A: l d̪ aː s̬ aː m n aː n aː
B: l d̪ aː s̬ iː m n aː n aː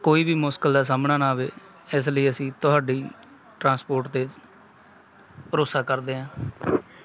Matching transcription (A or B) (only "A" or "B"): A